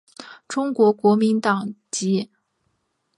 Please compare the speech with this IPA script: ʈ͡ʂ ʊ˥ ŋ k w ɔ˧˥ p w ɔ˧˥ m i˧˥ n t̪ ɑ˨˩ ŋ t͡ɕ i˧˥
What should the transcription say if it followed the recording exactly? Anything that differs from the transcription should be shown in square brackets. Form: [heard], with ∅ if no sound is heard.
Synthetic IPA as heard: ʈ͡ʂ ʊ˥ ŋ k w ɔ˧˥ [k] w ɔ˧˥ m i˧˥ n t̪ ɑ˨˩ ŋ t͡ɕ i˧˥